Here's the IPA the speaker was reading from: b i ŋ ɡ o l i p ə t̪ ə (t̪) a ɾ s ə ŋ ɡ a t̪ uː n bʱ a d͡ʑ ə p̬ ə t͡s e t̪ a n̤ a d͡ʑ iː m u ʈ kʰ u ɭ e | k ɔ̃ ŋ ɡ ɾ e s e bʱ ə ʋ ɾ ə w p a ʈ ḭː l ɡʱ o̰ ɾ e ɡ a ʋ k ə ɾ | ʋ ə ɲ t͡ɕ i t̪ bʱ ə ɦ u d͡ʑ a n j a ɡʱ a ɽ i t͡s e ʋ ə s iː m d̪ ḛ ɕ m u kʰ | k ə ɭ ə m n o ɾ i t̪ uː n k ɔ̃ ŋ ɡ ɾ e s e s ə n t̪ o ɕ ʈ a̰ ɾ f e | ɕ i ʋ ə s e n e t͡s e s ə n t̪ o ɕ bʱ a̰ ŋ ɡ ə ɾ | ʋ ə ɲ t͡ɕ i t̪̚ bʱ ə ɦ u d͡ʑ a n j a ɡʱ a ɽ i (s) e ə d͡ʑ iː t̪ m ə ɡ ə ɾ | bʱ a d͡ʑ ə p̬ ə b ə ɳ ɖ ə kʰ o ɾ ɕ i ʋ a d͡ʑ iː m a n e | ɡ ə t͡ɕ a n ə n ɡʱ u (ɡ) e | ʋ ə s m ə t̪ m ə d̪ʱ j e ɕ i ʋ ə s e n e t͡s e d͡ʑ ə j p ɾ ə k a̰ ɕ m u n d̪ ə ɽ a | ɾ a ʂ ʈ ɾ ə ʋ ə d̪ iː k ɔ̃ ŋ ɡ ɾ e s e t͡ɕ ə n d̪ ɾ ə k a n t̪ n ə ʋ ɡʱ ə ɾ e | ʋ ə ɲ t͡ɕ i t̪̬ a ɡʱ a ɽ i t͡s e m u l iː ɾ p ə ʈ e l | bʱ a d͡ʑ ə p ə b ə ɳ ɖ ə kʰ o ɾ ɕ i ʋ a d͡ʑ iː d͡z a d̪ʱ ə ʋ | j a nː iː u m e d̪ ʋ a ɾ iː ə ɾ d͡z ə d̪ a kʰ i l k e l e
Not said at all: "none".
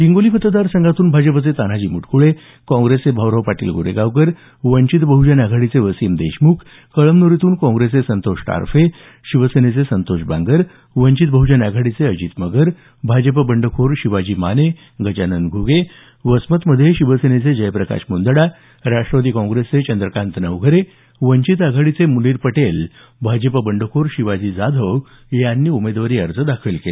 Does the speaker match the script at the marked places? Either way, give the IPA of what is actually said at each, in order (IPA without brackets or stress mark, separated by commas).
d̪, t͡s, ɡ